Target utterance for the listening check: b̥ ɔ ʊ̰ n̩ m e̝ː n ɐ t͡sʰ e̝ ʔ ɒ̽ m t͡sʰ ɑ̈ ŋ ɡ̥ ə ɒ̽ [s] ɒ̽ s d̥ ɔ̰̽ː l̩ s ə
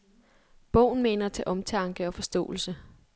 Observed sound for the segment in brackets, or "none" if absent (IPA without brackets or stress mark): f